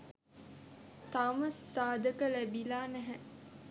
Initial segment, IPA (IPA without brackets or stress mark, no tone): t̪